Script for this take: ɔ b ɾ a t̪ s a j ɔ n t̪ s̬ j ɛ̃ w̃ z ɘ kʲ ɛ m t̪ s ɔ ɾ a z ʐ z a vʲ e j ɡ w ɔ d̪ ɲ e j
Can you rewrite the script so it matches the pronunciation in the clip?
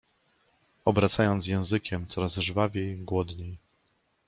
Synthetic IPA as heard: ɔ b ɾ a t̪ s a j ɔ n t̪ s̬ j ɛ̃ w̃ z ɘ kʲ ɛ m t̪ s ɔ ɾ a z ʐ v a vʲ e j ɡ w ɔ d̪ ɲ e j